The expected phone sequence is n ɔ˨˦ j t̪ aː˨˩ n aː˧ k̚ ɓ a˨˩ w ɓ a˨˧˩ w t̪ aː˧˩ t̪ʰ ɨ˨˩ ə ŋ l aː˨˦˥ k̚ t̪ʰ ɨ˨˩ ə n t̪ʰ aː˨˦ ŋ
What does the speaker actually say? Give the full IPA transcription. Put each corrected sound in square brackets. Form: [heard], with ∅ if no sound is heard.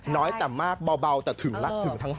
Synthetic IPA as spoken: n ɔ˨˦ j t̪ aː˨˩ [m] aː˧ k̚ ɓ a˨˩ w ɓ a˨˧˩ w t̪ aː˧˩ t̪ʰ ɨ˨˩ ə ŋ l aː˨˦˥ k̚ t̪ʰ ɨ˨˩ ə [ŋ] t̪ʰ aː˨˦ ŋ